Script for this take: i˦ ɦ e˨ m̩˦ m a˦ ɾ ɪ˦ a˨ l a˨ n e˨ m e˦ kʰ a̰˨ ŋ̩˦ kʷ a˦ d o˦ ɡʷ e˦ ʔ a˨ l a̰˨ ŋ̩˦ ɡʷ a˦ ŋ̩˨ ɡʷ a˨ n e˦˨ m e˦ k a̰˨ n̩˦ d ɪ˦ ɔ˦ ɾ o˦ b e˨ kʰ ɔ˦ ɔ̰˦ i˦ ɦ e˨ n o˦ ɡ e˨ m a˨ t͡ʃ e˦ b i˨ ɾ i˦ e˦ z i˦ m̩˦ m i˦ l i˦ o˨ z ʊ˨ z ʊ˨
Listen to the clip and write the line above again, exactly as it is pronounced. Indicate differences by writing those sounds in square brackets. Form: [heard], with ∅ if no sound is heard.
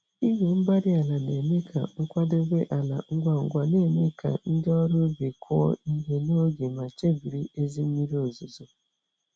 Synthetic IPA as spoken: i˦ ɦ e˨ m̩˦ [b] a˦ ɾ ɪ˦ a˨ l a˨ n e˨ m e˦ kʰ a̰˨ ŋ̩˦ kʷ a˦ d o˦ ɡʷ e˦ ʔ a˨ l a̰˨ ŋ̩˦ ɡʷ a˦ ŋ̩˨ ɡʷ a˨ n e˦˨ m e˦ k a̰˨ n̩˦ d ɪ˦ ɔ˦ ɾ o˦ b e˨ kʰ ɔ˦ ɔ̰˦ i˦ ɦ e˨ n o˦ ɡ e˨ m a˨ t͡ʃ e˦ b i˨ ɾ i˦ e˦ z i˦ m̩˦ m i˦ [ɾ] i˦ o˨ z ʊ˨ z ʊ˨